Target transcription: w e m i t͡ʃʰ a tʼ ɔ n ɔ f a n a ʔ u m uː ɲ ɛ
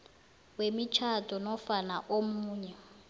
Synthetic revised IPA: w e m i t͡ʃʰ a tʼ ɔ n ɔ f a n a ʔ o m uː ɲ ɛ